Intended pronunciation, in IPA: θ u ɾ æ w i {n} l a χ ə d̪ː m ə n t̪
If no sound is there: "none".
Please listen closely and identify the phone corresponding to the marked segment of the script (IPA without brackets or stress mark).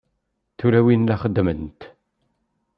n